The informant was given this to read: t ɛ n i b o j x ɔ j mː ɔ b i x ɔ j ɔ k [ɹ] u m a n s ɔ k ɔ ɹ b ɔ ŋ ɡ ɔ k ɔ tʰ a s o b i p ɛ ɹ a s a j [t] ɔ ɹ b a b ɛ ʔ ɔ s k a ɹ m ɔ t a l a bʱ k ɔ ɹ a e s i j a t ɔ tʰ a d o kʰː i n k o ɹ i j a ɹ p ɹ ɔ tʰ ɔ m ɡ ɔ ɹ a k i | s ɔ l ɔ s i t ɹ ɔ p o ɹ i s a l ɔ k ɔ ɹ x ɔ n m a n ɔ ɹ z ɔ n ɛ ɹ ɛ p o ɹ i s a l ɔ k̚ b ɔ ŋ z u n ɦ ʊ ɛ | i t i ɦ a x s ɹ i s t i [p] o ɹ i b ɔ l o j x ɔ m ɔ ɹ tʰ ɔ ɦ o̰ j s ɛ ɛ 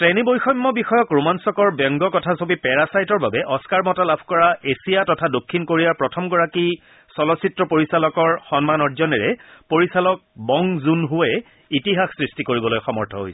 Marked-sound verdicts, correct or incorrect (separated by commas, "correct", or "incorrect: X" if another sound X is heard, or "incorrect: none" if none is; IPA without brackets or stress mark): correct, correct, incorrect: k